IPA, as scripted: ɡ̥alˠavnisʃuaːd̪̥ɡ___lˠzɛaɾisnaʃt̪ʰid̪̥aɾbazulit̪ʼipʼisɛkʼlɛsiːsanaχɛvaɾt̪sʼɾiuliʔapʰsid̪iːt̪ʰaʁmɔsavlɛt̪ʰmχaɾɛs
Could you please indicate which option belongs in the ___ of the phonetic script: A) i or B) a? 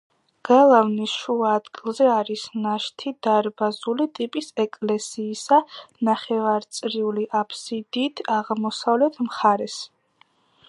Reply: A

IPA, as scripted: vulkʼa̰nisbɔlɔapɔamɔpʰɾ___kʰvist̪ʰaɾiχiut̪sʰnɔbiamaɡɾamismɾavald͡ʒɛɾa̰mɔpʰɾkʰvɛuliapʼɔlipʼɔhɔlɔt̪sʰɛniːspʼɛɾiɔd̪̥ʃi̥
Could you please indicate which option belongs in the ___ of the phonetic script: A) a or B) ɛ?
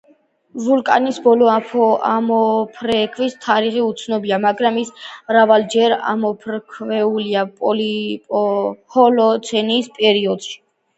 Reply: B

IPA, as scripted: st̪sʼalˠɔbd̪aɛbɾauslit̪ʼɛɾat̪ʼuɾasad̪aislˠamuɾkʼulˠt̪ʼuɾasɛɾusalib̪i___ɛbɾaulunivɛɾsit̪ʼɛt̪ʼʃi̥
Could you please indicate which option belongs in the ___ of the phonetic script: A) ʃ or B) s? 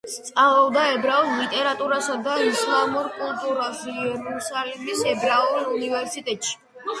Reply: B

